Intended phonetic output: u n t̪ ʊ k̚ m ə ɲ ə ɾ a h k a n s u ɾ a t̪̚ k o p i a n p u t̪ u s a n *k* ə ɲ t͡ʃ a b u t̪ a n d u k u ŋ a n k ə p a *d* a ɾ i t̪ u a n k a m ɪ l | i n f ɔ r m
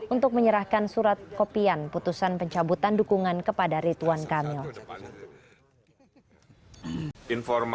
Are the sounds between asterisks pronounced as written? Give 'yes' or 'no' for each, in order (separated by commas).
no, yes